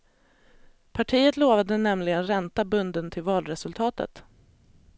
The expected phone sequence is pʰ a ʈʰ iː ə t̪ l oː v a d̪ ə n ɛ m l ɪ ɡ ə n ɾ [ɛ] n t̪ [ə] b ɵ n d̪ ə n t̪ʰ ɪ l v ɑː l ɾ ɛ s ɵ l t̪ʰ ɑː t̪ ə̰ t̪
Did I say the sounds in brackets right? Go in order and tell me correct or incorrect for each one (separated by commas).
correct, incorrect